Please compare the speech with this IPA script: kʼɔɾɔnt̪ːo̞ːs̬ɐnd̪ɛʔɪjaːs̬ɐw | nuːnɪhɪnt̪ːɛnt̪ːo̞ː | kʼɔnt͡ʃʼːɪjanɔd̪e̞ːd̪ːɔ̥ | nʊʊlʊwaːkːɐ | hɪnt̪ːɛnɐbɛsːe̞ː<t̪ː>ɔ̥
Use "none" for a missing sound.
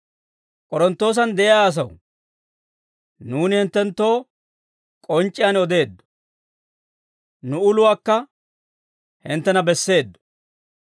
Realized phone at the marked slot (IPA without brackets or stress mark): d̪ː